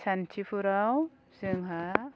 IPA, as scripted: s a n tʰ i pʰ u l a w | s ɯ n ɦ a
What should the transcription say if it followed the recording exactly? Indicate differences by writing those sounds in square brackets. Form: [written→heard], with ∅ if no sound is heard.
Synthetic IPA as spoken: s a n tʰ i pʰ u [l→ɾ] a w | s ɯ [n→ŋ] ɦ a